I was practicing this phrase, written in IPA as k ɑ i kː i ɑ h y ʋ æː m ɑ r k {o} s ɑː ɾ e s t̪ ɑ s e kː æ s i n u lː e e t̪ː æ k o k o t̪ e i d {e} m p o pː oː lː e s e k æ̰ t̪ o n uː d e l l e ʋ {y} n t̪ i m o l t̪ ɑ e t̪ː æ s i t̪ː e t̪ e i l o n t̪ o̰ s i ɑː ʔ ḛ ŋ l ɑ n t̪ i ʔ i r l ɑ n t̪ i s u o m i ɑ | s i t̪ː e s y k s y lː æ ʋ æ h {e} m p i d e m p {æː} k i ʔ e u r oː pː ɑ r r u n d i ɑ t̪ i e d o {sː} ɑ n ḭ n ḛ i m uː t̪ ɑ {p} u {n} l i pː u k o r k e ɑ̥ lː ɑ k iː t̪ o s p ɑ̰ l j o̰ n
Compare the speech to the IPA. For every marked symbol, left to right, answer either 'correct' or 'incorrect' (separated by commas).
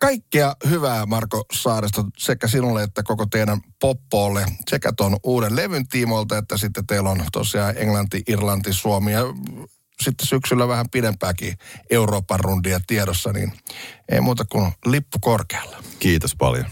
correct, incorrect, correct, incorrect, correct, correct, incorrect, correct